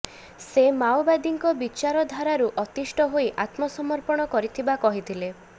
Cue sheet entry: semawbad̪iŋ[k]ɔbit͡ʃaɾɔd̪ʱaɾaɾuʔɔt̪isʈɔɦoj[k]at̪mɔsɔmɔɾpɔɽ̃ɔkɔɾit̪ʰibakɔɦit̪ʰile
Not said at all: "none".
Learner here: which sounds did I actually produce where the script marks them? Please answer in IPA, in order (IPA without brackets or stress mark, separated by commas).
k, ʔ